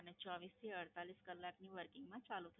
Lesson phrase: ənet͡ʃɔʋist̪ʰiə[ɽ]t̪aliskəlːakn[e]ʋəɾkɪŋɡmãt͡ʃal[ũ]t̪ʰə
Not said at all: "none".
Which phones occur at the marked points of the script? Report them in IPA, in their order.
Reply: ɽ, i, u

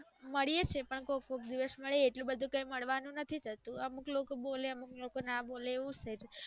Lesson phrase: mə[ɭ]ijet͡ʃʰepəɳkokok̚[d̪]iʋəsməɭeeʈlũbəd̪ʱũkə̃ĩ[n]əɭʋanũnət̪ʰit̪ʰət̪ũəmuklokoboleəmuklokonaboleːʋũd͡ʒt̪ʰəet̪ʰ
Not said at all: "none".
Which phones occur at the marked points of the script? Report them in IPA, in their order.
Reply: ɭ, d̪, m

